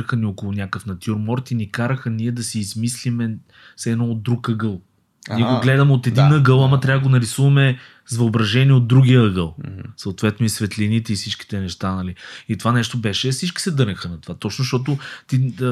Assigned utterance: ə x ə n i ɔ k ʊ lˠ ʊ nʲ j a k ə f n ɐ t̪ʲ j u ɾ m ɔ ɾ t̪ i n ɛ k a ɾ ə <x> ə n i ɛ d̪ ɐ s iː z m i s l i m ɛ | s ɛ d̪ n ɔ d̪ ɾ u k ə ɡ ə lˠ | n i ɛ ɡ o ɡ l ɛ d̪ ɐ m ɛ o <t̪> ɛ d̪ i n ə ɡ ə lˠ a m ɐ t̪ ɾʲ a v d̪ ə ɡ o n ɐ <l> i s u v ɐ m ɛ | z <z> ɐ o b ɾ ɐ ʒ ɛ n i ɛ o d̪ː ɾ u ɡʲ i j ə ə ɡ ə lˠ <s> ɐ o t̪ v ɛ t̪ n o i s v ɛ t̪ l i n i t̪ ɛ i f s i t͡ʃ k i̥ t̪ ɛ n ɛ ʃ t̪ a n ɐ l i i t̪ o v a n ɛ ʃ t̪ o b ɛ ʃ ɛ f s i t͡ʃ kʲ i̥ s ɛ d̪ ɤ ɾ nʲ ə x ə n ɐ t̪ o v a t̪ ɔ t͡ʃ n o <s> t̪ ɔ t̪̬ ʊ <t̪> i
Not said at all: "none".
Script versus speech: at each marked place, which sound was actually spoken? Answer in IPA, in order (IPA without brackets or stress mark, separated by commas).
x, t̪, ɾ, v, s, ʃ, t̪